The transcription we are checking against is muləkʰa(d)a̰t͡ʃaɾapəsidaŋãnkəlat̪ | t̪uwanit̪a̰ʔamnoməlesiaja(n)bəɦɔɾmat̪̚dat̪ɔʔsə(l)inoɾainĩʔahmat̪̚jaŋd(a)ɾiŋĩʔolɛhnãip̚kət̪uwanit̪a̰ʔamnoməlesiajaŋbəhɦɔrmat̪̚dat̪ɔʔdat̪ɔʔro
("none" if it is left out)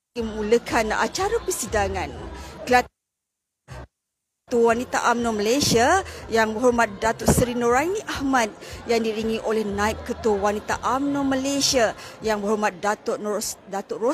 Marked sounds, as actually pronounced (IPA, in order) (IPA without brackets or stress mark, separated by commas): n, ŋ, ɾ, i